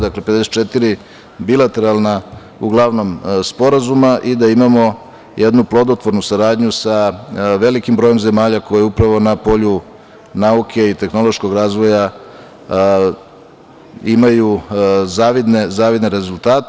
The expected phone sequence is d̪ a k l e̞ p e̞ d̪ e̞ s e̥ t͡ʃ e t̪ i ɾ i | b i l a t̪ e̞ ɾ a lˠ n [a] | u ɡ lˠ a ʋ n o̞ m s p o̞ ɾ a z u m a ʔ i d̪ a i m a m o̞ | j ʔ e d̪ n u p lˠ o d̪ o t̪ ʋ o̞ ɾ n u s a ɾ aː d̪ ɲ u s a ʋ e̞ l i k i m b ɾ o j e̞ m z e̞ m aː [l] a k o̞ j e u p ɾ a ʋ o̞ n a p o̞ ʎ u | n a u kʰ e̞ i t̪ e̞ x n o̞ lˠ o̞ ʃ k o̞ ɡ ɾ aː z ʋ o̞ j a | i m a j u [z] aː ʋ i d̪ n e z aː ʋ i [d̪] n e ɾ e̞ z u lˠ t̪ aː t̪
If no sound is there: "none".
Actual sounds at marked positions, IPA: a, ʎ, z, d̪

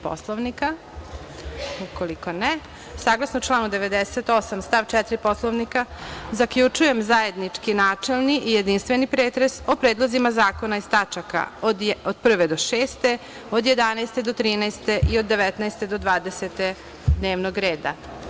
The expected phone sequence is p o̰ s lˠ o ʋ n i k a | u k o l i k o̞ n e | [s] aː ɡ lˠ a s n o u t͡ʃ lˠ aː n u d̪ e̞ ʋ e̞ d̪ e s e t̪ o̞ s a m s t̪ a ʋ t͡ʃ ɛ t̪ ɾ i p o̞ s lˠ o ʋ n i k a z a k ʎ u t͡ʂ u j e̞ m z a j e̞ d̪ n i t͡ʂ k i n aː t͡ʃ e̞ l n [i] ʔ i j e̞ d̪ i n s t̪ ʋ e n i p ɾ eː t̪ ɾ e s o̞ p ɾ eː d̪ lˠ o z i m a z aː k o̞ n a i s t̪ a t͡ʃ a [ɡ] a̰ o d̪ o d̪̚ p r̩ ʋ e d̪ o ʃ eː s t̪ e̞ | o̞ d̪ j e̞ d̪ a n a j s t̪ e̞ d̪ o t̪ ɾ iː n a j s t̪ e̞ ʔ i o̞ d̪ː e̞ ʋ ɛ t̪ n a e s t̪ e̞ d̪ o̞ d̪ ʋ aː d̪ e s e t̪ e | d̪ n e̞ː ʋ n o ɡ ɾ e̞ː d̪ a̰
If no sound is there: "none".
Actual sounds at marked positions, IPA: s, i, k

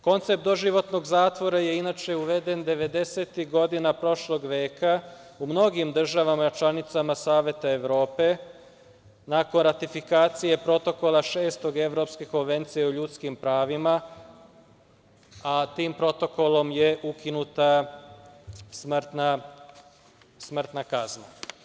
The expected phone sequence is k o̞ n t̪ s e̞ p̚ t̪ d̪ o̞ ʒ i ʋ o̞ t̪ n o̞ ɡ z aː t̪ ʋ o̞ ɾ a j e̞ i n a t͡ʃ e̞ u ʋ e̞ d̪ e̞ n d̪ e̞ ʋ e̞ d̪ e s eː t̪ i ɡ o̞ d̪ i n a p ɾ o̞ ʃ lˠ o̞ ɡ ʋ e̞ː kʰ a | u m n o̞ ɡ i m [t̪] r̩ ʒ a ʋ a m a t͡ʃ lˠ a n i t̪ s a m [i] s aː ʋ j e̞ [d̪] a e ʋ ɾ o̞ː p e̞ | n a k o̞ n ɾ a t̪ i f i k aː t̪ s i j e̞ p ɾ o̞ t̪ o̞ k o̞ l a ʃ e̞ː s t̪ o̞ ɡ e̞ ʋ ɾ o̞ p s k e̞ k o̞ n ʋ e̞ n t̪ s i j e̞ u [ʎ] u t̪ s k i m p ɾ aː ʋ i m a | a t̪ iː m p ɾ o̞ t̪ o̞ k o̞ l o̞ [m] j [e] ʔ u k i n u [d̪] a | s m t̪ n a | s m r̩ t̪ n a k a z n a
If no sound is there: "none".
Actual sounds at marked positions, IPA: d̪, a, t̪, ʎ, m, e, t̪

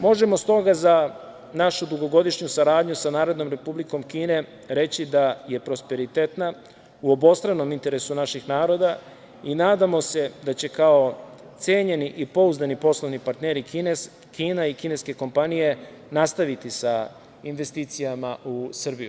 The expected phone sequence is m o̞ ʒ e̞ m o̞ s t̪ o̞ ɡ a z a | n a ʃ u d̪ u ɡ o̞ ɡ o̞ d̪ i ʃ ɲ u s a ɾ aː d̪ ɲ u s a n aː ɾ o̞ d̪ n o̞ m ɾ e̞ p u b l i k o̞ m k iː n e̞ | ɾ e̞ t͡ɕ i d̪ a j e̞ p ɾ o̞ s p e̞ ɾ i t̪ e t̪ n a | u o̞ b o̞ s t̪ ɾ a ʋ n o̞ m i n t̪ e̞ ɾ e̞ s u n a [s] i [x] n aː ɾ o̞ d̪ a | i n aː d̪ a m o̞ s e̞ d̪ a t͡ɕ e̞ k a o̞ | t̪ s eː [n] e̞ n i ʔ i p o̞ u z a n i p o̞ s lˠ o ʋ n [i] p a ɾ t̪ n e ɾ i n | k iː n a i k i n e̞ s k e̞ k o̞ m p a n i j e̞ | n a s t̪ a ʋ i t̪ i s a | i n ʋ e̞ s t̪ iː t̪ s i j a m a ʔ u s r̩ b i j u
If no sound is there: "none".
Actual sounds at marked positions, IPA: ʃ, x, ɲ, i

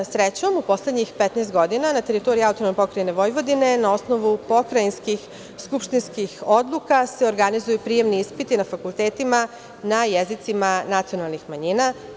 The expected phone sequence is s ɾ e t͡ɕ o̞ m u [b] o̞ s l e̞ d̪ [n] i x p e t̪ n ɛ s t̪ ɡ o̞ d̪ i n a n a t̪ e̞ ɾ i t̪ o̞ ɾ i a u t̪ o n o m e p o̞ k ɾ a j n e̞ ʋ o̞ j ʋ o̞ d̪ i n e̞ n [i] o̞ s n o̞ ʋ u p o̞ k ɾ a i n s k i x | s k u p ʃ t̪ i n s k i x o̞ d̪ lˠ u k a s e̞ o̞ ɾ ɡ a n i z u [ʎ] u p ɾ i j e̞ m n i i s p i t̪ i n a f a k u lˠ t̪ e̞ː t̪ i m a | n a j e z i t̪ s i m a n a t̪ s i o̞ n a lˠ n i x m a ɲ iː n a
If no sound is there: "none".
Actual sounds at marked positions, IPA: p, ɲ, a, j

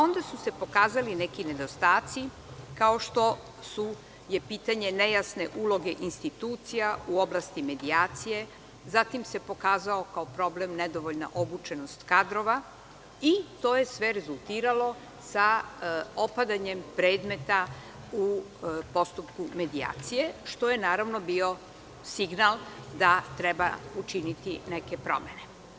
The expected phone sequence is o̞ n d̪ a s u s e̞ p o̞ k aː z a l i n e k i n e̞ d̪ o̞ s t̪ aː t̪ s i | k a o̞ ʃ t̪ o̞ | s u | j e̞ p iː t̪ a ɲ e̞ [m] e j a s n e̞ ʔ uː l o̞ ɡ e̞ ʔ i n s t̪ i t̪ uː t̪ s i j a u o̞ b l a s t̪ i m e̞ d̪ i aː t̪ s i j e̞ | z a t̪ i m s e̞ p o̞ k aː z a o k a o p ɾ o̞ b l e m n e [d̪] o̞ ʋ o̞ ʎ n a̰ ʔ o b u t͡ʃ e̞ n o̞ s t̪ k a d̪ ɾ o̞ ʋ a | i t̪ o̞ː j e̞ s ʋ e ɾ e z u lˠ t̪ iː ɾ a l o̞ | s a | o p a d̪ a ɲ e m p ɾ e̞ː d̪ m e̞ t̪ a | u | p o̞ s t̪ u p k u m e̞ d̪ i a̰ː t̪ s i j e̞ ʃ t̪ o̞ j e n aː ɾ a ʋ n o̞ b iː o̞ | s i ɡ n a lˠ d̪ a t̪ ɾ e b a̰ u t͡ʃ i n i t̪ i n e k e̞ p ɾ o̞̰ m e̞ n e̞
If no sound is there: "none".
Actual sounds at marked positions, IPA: n, d̪

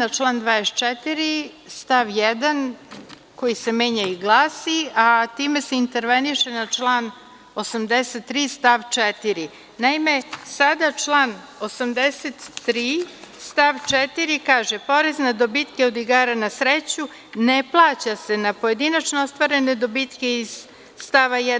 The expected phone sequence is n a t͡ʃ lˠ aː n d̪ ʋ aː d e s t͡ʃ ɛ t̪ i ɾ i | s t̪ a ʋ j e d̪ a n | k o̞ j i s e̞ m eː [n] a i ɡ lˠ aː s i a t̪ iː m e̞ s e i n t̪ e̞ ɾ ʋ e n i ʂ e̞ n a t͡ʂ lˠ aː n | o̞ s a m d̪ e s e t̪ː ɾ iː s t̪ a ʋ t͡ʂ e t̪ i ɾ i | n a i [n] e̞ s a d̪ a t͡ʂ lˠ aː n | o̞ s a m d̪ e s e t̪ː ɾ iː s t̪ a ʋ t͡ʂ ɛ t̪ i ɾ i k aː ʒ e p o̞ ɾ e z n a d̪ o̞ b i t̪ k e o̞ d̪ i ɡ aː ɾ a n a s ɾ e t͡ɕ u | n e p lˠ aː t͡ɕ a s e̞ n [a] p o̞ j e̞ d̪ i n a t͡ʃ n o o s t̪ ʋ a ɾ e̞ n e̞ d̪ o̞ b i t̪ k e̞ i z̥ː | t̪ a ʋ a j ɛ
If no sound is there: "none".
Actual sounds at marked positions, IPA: ɲ, m, a

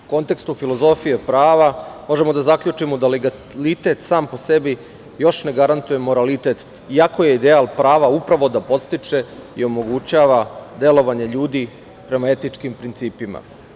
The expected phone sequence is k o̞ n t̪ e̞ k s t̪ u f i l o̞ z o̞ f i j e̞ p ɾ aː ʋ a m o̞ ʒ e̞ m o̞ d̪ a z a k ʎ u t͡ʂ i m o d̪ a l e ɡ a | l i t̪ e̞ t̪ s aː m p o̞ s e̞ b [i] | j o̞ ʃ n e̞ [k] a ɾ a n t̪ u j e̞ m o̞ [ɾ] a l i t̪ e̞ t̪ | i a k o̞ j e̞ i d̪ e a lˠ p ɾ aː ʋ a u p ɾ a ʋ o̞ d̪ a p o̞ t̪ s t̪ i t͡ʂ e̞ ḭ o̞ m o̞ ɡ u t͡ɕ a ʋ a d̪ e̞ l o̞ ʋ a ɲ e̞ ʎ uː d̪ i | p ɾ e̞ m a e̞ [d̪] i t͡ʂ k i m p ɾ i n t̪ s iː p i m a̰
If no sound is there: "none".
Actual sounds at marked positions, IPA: i, ɡ, ɾ, t̪

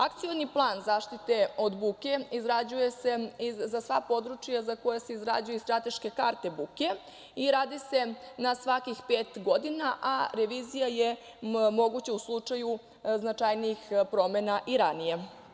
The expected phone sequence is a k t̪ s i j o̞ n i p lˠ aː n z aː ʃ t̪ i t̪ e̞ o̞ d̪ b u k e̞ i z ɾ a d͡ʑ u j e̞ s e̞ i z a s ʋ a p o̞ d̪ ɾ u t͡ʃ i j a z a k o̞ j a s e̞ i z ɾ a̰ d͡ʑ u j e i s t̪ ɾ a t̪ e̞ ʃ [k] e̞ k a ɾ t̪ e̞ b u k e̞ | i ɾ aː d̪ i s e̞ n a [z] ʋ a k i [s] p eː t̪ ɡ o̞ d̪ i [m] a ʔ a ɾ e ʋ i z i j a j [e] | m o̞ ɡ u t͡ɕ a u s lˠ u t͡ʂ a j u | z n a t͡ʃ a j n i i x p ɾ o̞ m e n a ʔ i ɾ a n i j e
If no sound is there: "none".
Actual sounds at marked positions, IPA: k, s, x, n, e

